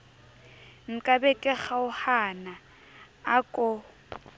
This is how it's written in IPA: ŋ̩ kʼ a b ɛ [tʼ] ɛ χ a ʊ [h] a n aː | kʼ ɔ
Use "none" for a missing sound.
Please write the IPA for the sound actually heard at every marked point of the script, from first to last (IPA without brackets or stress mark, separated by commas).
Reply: kʼ, h